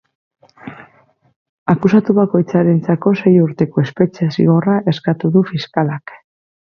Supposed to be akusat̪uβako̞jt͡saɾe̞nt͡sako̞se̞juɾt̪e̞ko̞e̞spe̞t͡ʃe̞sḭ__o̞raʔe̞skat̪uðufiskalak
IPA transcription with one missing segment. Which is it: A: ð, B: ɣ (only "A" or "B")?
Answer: B